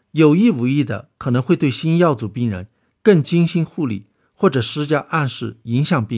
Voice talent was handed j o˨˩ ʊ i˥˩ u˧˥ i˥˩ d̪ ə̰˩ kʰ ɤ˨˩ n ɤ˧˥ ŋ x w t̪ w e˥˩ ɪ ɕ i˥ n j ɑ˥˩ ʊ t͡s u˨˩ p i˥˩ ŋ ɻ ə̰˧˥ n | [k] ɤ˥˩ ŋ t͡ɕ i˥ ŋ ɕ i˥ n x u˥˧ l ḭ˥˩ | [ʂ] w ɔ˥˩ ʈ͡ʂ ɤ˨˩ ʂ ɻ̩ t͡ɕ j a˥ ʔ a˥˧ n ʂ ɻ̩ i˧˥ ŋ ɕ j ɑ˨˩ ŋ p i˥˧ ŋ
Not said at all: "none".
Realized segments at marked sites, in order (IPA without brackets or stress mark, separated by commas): k, x